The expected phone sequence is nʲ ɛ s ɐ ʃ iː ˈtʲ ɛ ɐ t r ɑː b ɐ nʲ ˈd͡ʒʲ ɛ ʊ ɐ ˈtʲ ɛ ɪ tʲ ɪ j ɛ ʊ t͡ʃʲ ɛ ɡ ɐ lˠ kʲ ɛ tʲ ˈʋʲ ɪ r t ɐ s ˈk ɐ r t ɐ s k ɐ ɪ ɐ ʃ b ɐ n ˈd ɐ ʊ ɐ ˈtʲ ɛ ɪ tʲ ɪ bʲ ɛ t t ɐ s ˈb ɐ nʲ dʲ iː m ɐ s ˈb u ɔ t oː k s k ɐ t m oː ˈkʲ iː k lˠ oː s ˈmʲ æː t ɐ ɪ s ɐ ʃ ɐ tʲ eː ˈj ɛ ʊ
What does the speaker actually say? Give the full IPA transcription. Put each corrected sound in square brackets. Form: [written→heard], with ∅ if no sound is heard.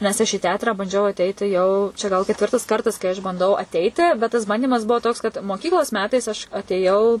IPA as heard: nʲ ɛ s ɐ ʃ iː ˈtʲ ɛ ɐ t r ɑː b ɐ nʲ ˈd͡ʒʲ ɛ ʊ ɐ ˈtʲ ɛ ɪ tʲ ɪ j ɛ ʊ t͡ʃʲ ɛ ɡ ɐ lˠ kʲ ɛ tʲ ˈʋʲ ɪ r t ɐ s ˈk ɐ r t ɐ s k ɐ ɪ ɐ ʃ b ɐ n ˈd ɐ ʊ ɐ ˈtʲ ɛ ɪ tʲ ɪ bʲ ɛ t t ɐ s ˈb ɐ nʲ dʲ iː m ɐ s ˈb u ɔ t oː k s k ɐ t m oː ˈkʲ iː k lˠ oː s ˈmʲ æː t ɐ ɪ s ɐ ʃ ɐ tʲ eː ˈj ɛ ʊ

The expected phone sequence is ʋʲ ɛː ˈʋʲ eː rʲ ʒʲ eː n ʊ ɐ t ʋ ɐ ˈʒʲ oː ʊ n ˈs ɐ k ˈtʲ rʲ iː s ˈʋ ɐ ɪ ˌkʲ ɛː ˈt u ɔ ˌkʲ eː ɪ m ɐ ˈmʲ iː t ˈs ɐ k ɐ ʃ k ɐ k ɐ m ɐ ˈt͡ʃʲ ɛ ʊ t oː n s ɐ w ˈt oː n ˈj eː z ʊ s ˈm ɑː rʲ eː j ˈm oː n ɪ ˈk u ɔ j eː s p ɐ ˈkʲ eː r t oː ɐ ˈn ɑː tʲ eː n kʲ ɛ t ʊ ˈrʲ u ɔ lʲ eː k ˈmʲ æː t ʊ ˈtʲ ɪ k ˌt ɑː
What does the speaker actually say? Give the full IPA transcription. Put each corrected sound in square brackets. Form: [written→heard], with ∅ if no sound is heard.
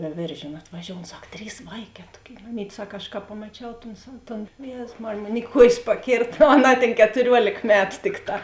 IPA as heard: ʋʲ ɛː ˈʋʲ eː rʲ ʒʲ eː n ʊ ɐ t ʋ ɐ ˈʒʲ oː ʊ n ˈs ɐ k ˈtʲ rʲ iː s ˈʋ ɐ ɪ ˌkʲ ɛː ˈt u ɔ ˌkʲ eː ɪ m ɐ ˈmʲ iː t ˈs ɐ k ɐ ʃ k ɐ [k→p] ɐ m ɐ ˈt͡ʃʲ ɛ ʊ t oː n s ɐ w ˈt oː n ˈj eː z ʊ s ˈm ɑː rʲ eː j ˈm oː n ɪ ˈk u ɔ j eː s p ɐ ˈkʲ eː r t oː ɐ ˈn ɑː tʲ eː n kʲ ɛ t ʊ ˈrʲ u ɔ lʲ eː k ˈmʲ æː t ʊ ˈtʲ ɪ k ˌt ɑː

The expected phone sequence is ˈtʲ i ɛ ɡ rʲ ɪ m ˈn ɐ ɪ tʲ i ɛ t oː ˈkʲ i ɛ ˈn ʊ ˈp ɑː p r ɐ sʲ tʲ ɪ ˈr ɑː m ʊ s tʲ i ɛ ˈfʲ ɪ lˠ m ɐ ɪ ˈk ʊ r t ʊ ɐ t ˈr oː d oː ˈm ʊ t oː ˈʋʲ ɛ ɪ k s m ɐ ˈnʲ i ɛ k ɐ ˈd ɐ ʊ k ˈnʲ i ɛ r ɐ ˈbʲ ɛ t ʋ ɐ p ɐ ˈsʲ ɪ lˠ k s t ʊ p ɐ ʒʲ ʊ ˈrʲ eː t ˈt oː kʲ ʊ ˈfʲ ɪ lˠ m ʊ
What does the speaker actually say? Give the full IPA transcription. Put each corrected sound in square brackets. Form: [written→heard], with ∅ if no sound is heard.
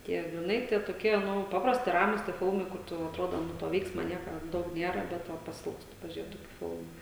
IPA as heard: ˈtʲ i ɛ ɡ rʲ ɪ [m→∅] ˈn ɐ ɪ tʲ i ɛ t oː ˈkʲ i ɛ ˈn ʊ ˈp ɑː p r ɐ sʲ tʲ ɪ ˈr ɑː m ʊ s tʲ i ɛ ˈfʲ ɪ lˠ m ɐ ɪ ˈk ʊ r t ʊ ɐ t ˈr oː d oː [ˈm→ˈn] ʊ t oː ˈʋʲ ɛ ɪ k s m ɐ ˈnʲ i ɛ k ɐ ˈd ɐ ʊ k ˈnʲ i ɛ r ɐ ˈbʲ ɛ t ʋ ɐ p ɐ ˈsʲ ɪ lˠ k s t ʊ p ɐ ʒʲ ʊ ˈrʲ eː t ˈt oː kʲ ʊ ˈfʲ ɪ lˠ m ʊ

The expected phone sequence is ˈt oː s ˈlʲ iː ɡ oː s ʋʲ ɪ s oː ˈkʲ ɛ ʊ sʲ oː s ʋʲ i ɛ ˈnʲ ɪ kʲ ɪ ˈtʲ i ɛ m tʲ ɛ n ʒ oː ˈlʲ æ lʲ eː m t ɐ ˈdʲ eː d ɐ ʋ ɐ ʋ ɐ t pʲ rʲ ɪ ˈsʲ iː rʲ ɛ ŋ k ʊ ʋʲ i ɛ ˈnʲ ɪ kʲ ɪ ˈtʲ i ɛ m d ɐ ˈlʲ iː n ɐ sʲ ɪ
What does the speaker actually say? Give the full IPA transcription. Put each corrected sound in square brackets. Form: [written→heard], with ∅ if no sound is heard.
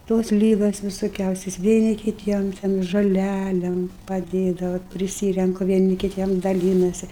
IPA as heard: ˈt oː s ˈlʲ iː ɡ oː s ʋʲ ɪ s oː ˈkʲ ɛ ʊ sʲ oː s ʋʲ i ɛ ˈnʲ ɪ kʲ ɪ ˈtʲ i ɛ m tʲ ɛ n ʒ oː ˈlʲ æ lʲ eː m [t→p] ɐ ˈdʲ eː d ɐ ʋ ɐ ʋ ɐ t pʲ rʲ ɪ ˈsʲ iː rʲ ɛ ŋ k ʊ ʋʲ i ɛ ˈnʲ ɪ kʲ ɪ ˈtʲ i ɛ m d ɐ ˈlʲ iː n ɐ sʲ ɪ

